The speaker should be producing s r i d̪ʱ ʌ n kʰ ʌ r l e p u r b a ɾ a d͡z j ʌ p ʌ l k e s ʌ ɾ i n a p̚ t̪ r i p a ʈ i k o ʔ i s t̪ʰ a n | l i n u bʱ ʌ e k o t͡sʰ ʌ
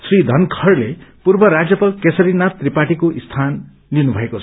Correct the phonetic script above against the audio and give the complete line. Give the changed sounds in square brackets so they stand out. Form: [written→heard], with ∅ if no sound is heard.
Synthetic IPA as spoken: s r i d̪ʱ ʌ n kʰ ʌ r l e p u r b [a→ʌ] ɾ a d͡z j ʌ p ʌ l k e s ʌ ɾ i n a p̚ t̪ r i p a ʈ i k o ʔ i s t̪ʰ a n | l i n u bʱ ʌ e k o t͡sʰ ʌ